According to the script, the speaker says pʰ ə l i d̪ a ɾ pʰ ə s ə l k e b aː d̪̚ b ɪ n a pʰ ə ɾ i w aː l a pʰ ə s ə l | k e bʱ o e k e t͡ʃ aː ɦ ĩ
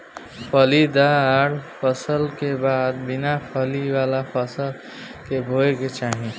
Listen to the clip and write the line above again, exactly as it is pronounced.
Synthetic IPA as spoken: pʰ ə l i d̪ a ɾ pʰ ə s ə l k e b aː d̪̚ b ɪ n a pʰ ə l i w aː l a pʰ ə s ə l | k e bʱ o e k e t͡ʃ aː ɦ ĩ